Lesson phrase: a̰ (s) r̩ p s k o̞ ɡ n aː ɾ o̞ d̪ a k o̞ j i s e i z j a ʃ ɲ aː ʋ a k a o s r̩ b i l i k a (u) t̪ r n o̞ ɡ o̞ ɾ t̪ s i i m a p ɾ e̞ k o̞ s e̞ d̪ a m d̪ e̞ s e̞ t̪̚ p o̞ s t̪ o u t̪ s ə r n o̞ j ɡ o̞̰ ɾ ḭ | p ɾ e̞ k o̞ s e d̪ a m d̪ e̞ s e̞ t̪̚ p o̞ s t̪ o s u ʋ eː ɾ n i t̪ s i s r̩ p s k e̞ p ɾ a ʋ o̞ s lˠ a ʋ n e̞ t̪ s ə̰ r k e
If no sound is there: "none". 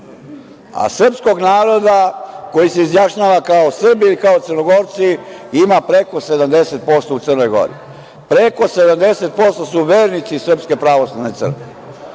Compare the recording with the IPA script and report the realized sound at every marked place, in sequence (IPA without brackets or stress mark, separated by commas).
s, o